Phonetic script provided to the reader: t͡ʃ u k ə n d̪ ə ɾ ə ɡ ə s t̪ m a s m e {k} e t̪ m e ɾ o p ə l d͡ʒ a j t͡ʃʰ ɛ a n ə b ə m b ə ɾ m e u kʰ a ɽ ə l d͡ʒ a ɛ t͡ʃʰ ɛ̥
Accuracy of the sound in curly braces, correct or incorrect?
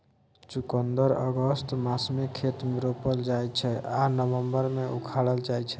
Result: incorrect